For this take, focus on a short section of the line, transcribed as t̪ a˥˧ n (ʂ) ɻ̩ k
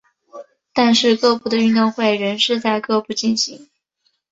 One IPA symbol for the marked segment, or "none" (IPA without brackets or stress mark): ʂ